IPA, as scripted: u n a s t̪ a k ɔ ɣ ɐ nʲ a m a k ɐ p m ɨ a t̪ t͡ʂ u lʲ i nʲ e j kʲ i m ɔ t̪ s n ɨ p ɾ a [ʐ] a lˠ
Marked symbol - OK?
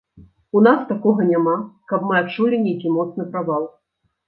no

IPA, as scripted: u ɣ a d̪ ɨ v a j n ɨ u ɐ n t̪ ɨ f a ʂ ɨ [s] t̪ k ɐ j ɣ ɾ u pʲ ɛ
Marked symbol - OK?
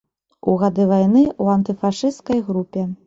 yes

